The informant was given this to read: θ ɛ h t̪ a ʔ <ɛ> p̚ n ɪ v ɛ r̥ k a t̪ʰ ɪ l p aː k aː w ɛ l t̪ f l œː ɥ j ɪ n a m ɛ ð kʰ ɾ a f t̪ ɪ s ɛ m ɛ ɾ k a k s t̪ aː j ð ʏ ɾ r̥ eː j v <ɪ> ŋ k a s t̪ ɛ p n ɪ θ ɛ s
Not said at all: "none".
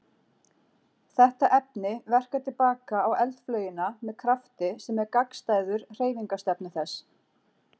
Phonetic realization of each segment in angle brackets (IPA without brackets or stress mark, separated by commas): ɛ, i